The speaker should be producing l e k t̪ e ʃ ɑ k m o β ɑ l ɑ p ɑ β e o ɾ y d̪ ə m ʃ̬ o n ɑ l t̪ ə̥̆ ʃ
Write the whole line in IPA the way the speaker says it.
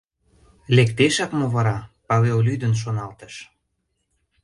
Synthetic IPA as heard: l e k t̪ e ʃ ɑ k m o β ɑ ɾ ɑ p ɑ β e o l y d̪ ə n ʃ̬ o n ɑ l t̪ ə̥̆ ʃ